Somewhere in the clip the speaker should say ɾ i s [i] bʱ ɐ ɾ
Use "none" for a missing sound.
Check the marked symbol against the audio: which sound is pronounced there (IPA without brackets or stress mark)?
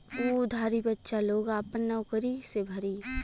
e